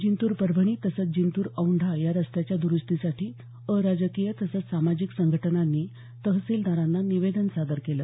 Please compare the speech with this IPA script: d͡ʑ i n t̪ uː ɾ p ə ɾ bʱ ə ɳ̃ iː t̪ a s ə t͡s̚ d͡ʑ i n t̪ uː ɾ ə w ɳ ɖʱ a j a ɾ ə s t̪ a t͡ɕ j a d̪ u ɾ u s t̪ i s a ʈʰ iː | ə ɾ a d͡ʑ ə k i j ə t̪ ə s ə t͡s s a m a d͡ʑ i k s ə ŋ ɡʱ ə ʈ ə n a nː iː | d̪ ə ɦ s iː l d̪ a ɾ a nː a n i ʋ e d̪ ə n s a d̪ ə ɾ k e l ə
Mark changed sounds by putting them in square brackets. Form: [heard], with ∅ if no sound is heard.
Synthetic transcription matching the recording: d͡ʑ i n t̪ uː ɾ p ə ɾ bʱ ə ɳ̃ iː t̪ [ə] s ə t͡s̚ d͡ʑ i n t̪ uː ɾ ə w ɳ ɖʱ a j a ɾ ə s t̪ a t͡ɕ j a d̪ u ɾ u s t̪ i s a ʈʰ iː | ə ɾ a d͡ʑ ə k i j ə t̪ ə s ə t͡s s a m a d͡ʑ i k s ə ŋ ɡʱ ə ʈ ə n a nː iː | [t̪] ə ɦ s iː l d̪ a ɾ a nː a n i ʋ e d̪ ə n s a d̪ ə ɾ k e l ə